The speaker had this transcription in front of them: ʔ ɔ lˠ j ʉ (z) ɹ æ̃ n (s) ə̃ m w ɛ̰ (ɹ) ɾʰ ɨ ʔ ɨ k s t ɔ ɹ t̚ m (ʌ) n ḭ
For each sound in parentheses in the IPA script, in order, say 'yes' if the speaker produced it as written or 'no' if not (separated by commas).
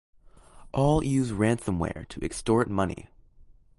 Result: yes, yes, yes, yes